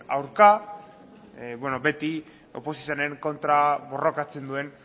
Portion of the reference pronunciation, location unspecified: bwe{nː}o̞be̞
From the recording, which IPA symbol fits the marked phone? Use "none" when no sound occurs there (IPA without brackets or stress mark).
n